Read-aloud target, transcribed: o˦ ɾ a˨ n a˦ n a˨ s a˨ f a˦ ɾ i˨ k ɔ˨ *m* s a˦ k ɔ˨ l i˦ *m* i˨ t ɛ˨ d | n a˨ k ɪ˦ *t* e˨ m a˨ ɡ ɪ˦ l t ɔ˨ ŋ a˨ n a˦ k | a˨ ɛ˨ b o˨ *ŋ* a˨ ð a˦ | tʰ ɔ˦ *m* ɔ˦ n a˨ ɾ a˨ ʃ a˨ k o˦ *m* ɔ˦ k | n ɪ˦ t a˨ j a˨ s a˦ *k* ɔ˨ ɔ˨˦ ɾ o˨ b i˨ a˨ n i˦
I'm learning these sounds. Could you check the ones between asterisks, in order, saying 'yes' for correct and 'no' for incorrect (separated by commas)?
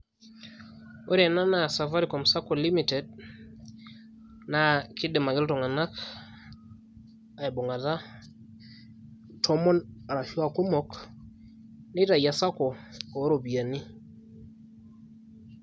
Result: yes, yes, no, yes, yes, yes, yes